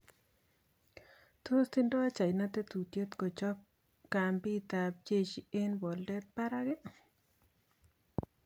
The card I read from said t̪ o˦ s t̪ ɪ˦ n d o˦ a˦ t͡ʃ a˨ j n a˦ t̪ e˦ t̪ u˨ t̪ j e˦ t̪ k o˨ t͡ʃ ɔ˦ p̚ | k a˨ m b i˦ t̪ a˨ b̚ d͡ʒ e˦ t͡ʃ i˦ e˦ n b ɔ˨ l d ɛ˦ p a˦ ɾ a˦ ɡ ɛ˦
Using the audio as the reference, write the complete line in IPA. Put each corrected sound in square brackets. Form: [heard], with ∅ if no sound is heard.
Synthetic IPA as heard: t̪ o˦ s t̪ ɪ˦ n d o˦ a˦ t͡ʃ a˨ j n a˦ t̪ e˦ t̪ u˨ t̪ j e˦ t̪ k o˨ t͡ʃ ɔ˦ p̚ | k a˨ m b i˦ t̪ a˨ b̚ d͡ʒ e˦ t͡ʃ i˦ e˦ n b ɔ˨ l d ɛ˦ p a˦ ɾ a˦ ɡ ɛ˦

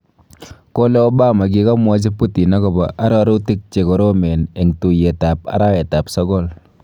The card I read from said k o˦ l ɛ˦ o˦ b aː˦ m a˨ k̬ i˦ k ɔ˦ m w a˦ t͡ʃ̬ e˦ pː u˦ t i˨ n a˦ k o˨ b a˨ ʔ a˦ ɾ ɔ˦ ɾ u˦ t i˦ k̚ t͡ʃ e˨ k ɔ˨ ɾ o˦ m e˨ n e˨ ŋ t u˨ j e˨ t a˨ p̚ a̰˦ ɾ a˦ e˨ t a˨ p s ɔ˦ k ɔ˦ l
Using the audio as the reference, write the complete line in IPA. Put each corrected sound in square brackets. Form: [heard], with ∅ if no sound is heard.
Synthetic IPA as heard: k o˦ l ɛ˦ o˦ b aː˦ m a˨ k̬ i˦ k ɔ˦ m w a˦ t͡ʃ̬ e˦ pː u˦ t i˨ n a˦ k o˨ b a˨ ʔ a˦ ɾ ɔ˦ ɾ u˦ t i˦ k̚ t͡ʃ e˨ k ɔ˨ ɾ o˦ m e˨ n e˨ ŋ t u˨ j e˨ t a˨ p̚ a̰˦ ɾ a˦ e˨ t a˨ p s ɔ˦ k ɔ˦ l

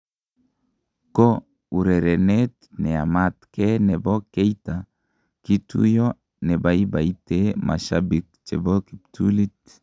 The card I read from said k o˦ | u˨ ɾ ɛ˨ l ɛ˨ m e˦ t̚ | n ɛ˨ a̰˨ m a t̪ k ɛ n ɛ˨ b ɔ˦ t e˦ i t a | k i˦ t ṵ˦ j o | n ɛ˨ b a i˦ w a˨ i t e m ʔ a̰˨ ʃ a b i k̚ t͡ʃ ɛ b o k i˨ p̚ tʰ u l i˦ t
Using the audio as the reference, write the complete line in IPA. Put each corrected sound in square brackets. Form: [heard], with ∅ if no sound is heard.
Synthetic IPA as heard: k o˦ | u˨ ɾ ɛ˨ [ɾ] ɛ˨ [n] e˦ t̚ | n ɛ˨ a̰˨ m a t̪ k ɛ n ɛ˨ b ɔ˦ [k] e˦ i t a | k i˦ t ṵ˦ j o | n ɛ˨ b a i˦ [b] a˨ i t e m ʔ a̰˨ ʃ a b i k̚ t͡ʃ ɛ b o k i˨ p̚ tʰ u l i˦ t

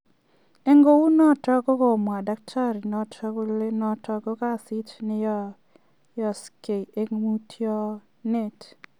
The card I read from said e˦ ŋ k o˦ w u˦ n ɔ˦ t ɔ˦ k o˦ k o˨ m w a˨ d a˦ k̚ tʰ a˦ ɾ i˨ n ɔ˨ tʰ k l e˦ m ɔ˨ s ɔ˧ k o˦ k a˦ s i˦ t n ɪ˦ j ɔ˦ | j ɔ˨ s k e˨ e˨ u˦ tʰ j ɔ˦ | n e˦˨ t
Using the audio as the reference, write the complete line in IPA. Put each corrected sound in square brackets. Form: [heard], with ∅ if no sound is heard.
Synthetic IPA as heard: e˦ ŋ [ɡ] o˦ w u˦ n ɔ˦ t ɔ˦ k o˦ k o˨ m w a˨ d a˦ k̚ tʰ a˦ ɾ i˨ n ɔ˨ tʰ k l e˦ [n] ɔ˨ [t] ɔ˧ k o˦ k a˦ s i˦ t n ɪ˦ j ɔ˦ | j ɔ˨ s k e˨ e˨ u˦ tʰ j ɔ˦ | n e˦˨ t

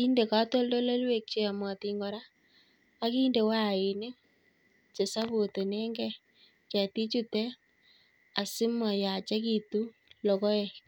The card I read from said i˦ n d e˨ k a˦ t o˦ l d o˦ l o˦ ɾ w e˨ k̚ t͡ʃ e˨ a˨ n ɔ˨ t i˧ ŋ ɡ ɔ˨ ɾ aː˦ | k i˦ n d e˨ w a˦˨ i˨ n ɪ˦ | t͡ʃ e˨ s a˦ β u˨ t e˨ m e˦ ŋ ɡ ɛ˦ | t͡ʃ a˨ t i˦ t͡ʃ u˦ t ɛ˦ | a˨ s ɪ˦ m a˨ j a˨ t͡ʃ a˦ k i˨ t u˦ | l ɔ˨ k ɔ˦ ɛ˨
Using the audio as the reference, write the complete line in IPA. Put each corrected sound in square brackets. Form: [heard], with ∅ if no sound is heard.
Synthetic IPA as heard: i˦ n d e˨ k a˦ t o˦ l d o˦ l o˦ [l] w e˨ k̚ t͡ʃ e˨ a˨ [m] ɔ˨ t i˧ ŋ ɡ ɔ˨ ɾ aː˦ | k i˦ n d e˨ w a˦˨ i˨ n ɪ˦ | t͡ʃ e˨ s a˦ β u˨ t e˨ [n] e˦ ŋ ɡ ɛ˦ | t͡ʃ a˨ t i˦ t͡ʃ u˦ t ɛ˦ | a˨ s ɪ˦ m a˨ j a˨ t͡ʃ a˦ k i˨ t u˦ | l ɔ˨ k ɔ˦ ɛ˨

